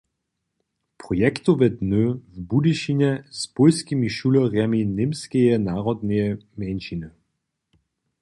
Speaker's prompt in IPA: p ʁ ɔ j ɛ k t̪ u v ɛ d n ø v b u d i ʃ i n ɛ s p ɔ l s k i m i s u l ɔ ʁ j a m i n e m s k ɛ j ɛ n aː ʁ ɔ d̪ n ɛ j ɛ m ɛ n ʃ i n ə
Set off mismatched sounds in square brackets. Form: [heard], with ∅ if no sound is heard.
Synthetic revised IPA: p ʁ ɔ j ɛ k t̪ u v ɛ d n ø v b u d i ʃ i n ɛ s p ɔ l s k i m i [ʃ] u l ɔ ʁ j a m i n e m s k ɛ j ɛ n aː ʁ ɔ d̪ n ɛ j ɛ m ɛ n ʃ i n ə